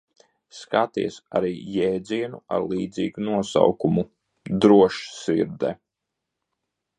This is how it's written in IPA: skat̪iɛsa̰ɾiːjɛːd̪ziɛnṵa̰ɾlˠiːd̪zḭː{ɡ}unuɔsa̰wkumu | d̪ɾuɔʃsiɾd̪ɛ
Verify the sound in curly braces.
correct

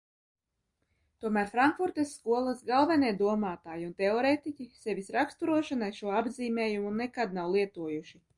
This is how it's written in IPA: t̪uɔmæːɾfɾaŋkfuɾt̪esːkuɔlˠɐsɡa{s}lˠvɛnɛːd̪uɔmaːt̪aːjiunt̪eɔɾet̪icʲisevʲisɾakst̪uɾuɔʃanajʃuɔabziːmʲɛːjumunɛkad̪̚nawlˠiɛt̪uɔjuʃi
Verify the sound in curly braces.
incorrect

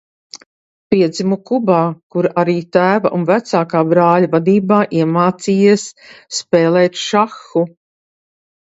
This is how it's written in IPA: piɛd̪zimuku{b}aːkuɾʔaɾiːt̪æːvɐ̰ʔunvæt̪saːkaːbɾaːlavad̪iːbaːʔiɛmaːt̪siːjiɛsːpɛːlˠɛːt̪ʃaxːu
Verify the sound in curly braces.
correct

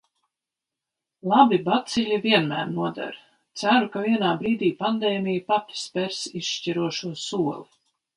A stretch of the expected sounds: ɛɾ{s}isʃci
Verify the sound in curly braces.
correct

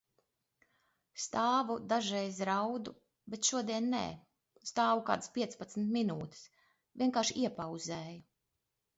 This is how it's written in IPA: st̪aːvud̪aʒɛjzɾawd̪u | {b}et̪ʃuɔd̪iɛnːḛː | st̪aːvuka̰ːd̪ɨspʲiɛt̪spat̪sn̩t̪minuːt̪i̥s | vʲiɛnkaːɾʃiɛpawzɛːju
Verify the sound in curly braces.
correct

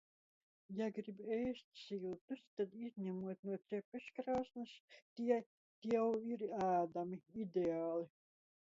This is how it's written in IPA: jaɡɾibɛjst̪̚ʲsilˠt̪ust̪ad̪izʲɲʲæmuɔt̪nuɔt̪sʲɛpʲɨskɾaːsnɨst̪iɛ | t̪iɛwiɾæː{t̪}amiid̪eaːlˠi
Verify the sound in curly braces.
incorrect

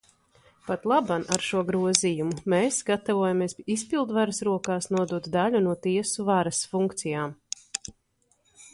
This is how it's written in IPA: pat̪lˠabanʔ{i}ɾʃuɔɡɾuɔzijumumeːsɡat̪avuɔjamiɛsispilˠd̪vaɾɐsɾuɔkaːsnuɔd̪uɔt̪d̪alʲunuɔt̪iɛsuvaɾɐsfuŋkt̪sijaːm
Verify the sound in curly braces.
incorrect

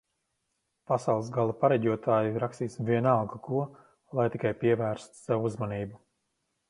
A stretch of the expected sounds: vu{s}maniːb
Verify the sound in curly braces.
incorrect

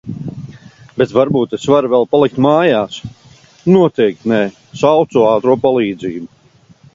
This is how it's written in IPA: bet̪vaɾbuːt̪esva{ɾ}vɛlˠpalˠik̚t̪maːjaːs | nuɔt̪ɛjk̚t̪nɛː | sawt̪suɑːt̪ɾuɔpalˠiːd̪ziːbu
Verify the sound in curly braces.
correct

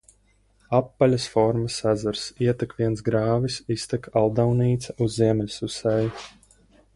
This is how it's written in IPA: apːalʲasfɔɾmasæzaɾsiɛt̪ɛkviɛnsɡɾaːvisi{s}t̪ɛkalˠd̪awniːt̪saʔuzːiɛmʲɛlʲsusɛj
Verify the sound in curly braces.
correct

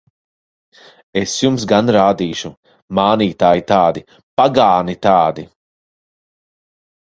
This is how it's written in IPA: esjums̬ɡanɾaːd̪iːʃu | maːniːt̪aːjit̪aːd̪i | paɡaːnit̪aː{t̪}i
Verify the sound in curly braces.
incorrect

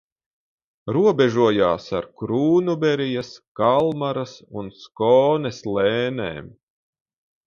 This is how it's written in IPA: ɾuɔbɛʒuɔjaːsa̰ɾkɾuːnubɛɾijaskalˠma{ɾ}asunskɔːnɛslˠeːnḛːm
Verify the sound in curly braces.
correct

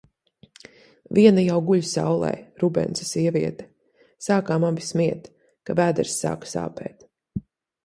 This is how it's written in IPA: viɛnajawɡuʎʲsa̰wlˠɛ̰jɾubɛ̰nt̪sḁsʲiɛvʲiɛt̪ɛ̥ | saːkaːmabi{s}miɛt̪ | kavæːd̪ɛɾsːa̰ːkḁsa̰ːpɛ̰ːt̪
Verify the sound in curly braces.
correct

